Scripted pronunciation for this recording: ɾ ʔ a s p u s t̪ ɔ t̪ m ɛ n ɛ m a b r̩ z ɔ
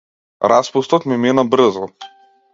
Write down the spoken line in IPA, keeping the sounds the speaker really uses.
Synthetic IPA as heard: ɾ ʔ a s p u s t̪ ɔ t̪ m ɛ m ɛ n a b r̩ z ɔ